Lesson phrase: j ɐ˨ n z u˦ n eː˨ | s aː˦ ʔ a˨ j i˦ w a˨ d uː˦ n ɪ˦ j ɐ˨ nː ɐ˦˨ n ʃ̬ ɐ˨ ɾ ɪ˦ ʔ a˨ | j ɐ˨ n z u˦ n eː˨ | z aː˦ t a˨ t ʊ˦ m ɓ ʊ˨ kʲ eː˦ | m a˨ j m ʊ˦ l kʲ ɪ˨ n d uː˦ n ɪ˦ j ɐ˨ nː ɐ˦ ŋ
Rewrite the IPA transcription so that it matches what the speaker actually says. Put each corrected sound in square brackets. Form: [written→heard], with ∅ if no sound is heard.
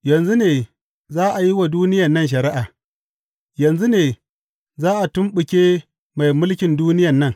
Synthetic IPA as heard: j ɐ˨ n z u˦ n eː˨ | [s→z] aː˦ ʔ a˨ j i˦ w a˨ d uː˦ n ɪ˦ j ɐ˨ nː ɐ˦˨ n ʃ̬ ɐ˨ ɾ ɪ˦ ʔ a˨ | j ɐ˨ n z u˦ n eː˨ | z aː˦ [t→ʔ] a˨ t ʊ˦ m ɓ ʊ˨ kʲ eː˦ | m a˨ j m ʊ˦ l kʲ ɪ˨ n d uː˦ n ɪ˦ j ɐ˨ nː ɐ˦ ŋ